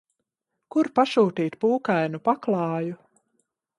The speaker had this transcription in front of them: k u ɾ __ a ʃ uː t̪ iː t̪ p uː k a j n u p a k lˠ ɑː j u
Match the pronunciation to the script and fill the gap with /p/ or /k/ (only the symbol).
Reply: p